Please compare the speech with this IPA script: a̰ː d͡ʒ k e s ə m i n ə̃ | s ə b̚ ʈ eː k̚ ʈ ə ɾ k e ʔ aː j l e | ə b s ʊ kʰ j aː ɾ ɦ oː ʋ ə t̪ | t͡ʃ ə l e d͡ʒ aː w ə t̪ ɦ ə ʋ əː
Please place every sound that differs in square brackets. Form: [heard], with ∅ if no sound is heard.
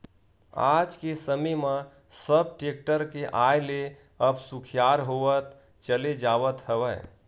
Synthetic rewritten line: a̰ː d͡ʒ k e s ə m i [m] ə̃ | s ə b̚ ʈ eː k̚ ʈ ə ɾ k e ʔ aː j l e | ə b s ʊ kʰ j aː ɾ ɦ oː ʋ ə t̪ | t͡ʃ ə l e d͡ʒ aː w ə t̪ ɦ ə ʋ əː